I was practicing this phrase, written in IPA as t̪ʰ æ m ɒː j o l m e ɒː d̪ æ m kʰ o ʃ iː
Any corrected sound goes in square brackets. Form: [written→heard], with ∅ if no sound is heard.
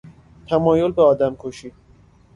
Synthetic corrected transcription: t̪ʰ æ m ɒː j o l [m→b] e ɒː d̪ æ m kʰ o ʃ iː